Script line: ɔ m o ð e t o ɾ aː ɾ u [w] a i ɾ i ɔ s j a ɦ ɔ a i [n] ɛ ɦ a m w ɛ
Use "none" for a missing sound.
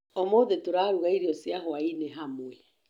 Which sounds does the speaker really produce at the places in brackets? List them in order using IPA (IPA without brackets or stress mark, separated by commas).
ɣ, n